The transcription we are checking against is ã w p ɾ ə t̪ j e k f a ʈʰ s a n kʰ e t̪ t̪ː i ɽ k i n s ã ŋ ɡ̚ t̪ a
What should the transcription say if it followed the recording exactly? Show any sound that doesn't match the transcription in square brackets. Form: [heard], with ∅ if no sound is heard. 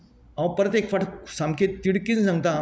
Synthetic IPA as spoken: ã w p ɾ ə t̪ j e k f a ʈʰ s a [m] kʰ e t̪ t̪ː i ɽ k i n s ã ŋ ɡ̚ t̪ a